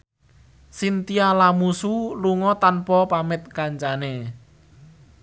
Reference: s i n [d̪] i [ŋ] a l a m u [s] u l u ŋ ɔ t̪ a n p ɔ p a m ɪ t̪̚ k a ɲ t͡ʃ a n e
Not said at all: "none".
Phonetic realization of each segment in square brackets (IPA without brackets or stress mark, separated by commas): t̪, none, s